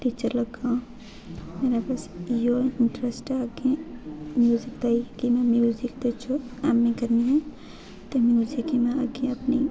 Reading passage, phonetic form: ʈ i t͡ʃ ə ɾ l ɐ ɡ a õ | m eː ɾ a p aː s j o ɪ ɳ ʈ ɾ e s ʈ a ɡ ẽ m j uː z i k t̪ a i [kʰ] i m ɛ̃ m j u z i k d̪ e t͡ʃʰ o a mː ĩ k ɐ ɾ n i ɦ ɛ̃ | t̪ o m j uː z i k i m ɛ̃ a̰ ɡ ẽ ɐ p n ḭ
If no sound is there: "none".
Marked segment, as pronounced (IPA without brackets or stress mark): k